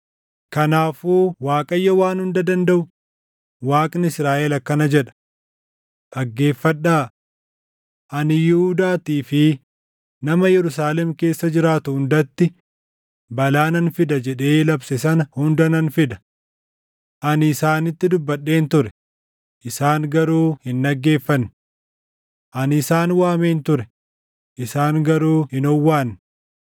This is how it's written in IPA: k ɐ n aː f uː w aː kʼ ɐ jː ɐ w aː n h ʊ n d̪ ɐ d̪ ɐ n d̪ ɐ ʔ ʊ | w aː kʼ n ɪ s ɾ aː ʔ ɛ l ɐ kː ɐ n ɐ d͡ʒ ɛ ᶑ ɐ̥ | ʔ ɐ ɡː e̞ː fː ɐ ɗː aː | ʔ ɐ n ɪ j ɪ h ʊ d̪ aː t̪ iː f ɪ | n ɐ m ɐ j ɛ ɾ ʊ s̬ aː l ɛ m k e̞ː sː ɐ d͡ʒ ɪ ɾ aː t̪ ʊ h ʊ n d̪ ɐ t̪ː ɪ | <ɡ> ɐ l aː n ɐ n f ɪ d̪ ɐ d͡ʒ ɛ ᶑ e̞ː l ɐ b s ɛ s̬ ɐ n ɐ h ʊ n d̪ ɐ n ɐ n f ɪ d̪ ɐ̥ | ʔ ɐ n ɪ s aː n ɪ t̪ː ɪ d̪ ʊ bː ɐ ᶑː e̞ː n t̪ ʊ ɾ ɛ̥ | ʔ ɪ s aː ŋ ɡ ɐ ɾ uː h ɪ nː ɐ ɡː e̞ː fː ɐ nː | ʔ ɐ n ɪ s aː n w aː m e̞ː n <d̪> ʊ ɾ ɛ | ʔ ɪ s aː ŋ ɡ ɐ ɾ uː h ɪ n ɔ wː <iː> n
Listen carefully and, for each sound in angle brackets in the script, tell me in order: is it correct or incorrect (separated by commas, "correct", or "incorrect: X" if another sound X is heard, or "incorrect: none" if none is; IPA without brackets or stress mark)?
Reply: incorrect: b, incorrect: t̪, incorrect: aː